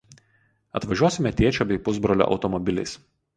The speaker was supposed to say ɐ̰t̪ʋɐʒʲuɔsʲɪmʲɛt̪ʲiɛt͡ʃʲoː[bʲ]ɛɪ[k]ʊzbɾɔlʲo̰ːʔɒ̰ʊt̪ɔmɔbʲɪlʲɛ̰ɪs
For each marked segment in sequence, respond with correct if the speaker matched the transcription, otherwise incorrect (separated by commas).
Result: correct, incorrect